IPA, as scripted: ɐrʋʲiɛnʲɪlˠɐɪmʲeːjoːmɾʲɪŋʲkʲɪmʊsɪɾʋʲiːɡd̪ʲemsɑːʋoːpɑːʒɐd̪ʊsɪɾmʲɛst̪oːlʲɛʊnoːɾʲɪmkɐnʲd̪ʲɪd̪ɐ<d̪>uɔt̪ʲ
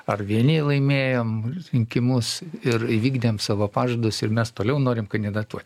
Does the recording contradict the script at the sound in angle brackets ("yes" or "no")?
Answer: yes